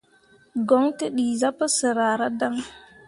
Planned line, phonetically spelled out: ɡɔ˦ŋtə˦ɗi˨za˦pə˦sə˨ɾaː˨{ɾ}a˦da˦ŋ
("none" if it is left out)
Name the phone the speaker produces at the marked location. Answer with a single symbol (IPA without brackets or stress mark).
ɾ